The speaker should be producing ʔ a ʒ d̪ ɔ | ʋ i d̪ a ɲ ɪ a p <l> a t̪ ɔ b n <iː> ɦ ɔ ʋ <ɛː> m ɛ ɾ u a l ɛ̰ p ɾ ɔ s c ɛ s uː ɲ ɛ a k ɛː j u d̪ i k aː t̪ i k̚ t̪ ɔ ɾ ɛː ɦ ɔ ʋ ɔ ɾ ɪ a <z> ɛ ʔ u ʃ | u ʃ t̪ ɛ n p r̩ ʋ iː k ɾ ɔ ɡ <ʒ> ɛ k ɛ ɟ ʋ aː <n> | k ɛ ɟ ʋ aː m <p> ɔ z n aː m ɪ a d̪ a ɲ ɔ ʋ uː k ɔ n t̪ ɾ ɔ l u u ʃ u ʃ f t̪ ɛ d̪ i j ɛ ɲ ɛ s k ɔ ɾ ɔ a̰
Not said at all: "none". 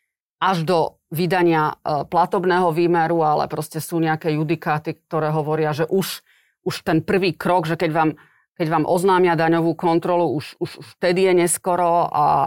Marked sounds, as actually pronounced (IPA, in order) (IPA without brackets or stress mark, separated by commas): l, ɛː, iː, ʒ, ʒ, m, ʔ